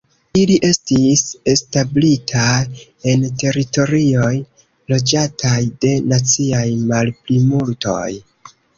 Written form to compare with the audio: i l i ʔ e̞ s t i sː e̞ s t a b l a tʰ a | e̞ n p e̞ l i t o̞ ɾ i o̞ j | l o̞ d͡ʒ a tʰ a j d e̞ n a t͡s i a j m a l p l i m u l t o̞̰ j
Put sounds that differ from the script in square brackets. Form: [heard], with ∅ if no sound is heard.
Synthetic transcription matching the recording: i l i ʔ e̞ s t i [s] e̞ s t a b l [i] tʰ a | e̞ n [t] e̞ [ɾ] i t o̞ ɾ i o̞ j | l o̞ d͡ʒ a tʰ a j d e̞ n a t͡s i a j m a l p l i m u l t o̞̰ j